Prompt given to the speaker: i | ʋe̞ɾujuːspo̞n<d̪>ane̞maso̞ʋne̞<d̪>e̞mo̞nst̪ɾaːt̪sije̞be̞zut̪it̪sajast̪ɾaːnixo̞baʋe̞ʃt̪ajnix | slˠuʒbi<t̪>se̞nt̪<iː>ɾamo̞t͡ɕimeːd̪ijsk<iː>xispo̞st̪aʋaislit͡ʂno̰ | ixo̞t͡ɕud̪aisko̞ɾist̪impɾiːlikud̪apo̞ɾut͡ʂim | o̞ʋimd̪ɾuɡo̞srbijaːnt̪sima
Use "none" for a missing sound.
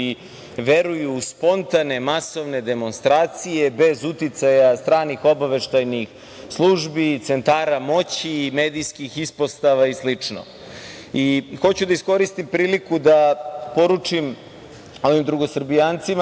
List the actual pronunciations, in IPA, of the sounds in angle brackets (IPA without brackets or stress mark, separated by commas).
t̪, d̪, t̪, aː, i